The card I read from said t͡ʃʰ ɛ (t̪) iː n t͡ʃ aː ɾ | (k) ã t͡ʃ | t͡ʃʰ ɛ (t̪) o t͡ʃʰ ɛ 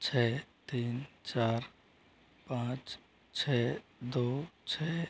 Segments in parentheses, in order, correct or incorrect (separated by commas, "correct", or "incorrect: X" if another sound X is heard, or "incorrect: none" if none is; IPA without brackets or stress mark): correct, incorrect: p, incorrect: d̪